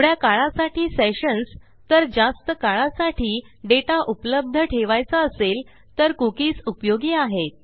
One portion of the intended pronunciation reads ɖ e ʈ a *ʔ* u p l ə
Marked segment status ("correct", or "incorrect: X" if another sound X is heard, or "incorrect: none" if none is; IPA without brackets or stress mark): correct